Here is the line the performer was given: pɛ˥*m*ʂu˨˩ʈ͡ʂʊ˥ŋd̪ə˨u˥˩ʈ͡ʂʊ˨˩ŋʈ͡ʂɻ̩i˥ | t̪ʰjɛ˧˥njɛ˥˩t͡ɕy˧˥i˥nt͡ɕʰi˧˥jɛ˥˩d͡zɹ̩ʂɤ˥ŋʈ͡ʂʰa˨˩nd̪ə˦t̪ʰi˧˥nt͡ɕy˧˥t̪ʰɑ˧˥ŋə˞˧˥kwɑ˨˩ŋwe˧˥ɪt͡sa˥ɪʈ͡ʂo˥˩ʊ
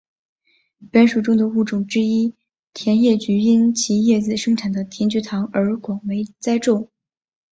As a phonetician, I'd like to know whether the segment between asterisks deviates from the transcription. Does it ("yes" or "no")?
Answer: yes